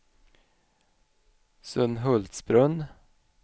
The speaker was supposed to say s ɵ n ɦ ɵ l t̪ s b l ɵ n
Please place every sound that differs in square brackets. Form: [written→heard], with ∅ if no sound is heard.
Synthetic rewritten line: s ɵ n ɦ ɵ l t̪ s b [l→ɾ] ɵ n